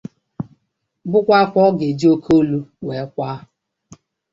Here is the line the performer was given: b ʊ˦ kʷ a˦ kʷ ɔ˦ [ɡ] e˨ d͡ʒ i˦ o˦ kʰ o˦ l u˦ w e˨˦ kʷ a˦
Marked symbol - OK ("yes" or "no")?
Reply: yes